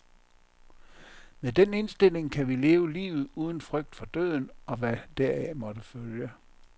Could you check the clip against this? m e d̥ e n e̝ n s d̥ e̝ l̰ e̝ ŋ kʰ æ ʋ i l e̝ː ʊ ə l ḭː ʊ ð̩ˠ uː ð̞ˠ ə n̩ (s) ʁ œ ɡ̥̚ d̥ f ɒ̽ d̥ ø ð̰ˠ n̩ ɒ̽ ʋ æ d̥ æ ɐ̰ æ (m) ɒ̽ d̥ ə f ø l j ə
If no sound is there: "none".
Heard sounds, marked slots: f, m

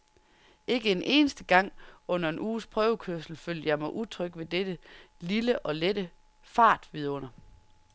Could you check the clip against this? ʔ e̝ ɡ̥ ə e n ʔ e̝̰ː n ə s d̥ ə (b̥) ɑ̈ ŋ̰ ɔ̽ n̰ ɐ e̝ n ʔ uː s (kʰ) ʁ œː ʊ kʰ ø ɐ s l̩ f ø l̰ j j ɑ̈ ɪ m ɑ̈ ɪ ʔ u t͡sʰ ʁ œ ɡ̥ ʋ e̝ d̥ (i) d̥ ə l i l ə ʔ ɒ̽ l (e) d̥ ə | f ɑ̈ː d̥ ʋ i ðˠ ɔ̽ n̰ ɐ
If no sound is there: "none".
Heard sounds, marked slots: ɡ̥, pʰ, e, e

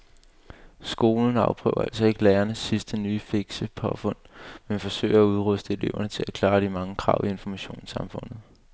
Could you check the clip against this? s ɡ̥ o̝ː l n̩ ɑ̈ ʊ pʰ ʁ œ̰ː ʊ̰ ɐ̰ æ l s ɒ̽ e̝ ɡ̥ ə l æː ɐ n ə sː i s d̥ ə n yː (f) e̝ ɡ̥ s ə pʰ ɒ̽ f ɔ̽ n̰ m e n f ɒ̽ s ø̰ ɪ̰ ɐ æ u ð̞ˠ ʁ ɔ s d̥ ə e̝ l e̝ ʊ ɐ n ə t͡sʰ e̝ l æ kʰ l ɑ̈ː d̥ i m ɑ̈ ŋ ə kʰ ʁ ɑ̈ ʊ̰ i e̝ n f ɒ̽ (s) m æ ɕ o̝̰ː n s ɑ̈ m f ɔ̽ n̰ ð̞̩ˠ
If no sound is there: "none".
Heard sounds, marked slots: f, none

